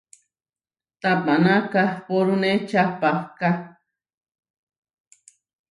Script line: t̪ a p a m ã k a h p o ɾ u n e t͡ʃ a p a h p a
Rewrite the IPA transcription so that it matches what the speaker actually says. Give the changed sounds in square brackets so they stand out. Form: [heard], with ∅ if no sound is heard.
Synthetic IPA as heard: t̪ a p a [n] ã k a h p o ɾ u n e t͡ʃ a p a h [k] a